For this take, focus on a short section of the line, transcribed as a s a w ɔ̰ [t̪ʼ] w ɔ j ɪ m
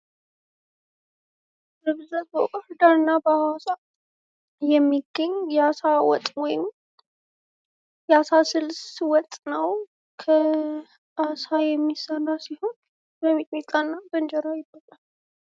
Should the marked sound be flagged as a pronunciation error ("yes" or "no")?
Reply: no